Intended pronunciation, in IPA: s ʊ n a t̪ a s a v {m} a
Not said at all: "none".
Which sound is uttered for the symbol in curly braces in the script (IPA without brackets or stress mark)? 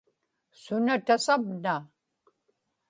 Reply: n